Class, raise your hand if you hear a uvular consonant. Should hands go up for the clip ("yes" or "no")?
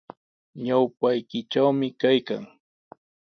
no